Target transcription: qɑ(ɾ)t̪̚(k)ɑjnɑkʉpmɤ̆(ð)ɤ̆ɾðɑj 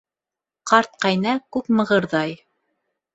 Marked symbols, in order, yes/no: yes, no, no

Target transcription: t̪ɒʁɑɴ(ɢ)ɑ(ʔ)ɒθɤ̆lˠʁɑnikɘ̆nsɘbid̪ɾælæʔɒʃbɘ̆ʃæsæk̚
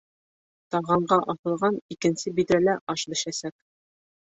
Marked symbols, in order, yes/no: yes, yes

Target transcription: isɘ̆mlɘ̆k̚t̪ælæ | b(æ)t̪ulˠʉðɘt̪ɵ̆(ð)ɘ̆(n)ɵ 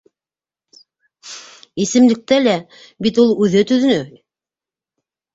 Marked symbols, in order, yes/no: no, yes, yes

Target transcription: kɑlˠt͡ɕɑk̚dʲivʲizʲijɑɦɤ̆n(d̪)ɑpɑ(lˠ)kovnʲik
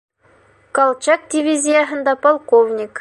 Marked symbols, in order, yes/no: yes, yes

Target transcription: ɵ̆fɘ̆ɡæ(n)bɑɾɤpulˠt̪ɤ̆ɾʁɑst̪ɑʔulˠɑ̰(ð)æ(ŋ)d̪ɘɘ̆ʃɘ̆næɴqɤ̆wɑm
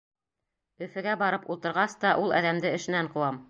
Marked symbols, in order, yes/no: no, yes, no

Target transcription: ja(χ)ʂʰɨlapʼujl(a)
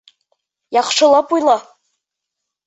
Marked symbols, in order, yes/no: yes, yes

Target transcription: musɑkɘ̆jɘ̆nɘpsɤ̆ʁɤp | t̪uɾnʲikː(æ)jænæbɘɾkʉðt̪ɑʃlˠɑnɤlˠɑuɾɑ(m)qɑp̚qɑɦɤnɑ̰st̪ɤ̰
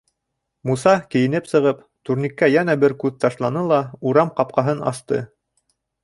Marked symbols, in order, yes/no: yes, yes

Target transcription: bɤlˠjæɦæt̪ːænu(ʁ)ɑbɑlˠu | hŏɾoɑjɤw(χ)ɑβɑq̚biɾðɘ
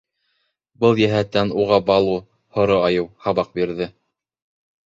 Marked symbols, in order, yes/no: yes, no

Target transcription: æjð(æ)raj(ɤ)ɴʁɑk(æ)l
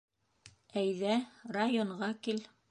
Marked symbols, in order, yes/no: yes, no, no

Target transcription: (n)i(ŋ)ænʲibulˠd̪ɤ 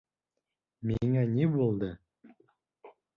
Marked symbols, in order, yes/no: no, yes

